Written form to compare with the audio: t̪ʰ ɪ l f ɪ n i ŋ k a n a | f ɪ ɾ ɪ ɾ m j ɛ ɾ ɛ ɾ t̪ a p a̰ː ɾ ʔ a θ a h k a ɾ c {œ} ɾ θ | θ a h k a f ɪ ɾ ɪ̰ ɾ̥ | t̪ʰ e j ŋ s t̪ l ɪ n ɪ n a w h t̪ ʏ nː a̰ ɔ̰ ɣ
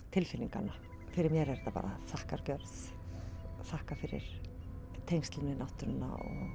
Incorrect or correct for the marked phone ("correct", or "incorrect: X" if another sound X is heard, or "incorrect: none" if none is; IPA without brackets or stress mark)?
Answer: correct